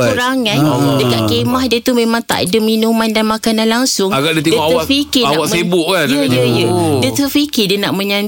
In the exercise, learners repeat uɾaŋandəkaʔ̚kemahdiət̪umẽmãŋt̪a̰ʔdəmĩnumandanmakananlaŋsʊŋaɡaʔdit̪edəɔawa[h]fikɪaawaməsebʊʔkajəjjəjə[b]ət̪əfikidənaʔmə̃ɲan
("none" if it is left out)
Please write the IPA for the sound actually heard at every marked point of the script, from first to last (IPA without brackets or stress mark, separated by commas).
none, d